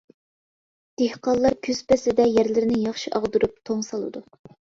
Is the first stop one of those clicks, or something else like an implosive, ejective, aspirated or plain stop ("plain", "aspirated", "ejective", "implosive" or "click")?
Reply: plain